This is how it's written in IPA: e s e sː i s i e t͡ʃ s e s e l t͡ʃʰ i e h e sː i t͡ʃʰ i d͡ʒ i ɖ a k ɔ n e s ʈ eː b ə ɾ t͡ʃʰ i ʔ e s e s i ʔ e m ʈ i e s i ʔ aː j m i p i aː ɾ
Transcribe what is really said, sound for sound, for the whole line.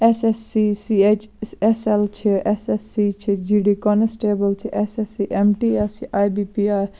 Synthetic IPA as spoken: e s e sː i s i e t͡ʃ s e s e l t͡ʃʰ i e s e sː i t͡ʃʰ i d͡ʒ i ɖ i k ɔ n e s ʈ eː b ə l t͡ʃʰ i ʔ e s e s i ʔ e m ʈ i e s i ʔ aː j b i p i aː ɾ